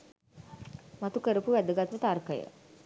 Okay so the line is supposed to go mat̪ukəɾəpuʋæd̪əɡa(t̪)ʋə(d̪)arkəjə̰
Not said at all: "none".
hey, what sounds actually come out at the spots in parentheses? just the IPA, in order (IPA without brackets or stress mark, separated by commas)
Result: t̪, t̪